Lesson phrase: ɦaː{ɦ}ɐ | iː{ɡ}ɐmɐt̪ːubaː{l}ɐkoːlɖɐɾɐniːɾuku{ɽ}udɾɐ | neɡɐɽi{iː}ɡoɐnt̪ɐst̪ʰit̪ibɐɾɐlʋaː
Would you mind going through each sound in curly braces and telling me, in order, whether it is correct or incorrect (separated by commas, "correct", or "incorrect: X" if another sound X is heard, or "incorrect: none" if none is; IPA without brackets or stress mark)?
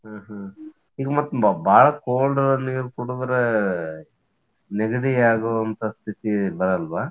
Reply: correct, correct, incorrect: ɭ, correct, incorrect: aː